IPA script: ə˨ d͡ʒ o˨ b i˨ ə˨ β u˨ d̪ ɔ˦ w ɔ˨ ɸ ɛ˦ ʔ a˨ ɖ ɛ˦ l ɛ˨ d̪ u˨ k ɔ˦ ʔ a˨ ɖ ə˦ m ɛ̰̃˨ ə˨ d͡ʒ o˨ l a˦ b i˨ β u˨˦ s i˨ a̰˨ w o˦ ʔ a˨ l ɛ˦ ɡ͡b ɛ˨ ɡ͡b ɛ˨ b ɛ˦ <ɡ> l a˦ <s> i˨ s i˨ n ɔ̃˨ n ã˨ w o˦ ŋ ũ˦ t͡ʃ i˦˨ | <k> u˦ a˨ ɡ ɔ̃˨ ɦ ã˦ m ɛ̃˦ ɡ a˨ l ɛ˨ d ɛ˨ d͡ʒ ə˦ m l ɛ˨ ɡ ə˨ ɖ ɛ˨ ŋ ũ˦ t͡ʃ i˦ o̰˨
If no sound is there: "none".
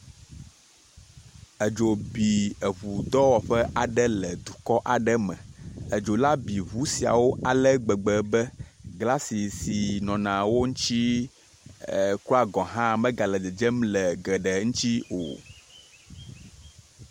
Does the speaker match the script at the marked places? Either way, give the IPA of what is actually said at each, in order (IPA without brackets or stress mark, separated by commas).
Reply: ɡ, s, k